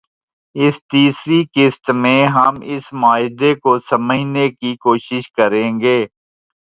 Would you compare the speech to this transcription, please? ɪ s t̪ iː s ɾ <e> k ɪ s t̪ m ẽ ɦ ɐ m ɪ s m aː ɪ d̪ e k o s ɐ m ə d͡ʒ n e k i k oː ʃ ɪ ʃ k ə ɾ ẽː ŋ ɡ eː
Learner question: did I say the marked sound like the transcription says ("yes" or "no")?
no